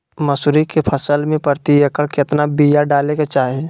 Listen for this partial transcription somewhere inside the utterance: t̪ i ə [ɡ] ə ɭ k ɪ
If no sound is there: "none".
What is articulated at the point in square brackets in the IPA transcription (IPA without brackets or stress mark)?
k